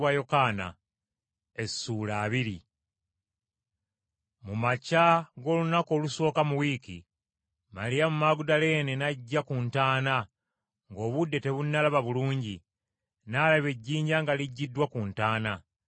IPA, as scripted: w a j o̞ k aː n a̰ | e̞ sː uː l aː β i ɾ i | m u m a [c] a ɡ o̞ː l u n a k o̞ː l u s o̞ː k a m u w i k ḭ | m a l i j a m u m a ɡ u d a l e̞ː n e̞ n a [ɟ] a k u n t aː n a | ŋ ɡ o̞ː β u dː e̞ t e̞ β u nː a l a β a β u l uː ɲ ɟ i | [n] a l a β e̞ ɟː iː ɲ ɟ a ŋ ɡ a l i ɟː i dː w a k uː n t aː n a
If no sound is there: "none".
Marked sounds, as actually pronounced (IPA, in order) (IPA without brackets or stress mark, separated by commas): c, ɟː, n